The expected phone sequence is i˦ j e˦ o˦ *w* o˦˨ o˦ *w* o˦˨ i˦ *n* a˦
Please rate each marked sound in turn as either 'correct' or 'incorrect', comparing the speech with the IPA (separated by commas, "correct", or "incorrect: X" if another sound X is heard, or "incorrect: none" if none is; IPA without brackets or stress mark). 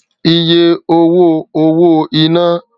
correct, correct, correct